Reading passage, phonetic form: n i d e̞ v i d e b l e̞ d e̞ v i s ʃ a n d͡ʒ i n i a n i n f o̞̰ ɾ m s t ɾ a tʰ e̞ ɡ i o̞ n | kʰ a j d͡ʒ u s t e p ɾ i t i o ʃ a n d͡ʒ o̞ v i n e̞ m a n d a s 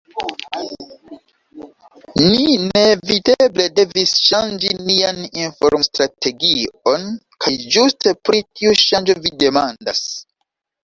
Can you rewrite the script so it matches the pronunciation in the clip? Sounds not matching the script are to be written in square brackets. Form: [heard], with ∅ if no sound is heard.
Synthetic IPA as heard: n i [n] e̞ v i d e b l e̞ d e̞ v i s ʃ a n d͡ʒ i n i a n i n f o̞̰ ɾ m s t ɾ a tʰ e̞ ɡ i o̞ n | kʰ a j d͡ʒ u s t e p ɾ i t i [u] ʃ a n d͡ʒ o̞ v i [d] e̞ m a n d a s

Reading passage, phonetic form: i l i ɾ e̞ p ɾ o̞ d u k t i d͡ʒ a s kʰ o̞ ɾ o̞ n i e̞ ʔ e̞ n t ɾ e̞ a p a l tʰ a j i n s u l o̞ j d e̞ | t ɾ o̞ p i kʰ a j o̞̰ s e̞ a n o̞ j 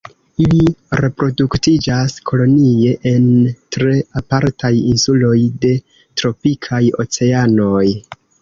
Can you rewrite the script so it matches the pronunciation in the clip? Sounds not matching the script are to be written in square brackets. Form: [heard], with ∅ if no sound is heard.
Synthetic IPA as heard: i l i ɾ e̞ p ɾ o̞ d u k t i d͡ʒ a s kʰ o̞ [l] o̞ n i e̞ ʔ e̞ n t ɾ e̞ a p a [ɾ] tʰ a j i n s u l o̞ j d e̞ | t ɾ o̞ p i kʰ a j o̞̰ [t͡s] e̞ a n o̞ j

